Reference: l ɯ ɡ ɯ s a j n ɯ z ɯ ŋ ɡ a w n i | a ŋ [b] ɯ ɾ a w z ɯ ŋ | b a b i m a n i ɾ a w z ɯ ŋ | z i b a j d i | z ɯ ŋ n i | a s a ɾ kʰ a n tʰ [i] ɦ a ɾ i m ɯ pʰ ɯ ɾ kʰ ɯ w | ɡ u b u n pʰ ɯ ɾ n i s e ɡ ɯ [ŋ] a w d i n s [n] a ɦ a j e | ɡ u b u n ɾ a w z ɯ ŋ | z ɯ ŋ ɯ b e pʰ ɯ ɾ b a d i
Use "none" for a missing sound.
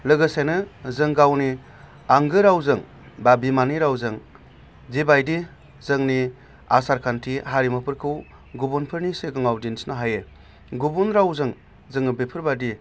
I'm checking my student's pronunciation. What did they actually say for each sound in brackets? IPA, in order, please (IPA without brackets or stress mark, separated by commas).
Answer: ɡ, i, ŋ, n